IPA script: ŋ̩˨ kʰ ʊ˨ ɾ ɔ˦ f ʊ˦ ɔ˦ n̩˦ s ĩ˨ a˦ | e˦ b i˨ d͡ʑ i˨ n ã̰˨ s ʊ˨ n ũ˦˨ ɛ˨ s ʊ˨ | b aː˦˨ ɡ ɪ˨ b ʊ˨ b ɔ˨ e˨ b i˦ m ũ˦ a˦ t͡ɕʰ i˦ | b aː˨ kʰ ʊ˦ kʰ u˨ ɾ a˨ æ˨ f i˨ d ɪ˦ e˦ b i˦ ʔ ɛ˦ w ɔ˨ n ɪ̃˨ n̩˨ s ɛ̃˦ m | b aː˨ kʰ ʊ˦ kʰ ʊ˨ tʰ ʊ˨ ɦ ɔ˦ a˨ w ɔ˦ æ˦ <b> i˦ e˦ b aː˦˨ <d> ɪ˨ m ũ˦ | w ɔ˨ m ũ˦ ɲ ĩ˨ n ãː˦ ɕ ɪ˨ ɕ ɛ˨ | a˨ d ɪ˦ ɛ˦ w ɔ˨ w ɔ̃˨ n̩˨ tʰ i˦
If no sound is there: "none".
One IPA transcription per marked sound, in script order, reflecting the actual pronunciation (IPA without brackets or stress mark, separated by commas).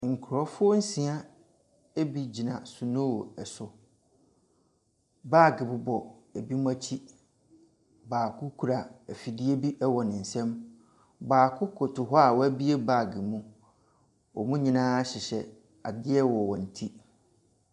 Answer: b, ɡ